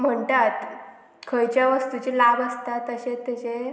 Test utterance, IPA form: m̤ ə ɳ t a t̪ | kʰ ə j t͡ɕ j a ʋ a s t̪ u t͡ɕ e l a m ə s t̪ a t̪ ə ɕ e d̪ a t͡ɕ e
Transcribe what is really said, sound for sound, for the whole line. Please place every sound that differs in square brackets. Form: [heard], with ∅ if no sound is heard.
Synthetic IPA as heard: m̤ ə ɳ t a t̪ | kʰ ə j t͡ɕ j a ʋ [ə] s t̪ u t͡ɕ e l a [b] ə s t̪ a t̪ ə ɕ e [t̪] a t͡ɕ e